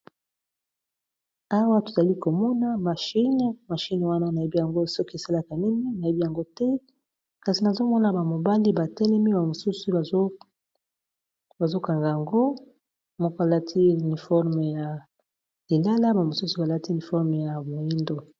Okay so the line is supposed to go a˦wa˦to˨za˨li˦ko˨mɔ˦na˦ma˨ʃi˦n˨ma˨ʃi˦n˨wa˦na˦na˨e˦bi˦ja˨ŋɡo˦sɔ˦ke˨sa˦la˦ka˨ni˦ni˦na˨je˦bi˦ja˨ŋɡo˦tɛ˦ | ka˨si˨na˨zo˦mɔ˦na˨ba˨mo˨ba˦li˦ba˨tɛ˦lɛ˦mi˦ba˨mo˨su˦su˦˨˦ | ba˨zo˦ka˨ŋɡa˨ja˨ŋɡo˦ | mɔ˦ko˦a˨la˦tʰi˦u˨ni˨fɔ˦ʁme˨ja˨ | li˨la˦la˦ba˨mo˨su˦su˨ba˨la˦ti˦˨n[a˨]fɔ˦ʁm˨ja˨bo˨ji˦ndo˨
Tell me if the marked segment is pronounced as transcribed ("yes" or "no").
no